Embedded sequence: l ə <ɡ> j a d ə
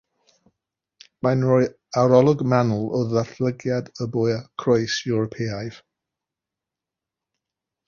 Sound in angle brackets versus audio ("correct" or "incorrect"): correct